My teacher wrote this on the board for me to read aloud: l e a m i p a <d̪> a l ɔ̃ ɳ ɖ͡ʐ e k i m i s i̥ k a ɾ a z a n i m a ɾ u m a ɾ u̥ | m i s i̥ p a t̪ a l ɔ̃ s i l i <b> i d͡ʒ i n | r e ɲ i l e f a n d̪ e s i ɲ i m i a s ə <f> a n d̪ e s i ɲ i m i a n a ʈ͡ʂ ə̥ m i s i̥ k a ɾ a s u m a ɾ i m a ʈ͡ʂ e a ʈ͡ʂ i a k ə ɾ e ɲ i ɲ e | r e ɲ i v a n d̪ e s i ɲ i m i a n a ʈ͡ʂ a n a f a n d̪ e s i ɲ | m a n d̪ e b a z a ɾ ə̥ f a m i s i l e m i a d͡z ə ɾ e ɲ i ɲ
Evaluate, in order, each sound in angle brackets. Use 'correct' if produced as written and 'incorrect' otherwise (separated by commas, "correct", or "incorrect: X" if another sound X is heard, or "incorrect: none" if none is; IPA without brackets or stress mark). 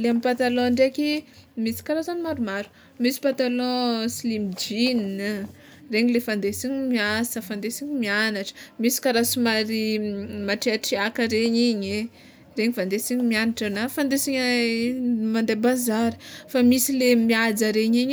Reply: incorrect: t̪, incorrect: m, correct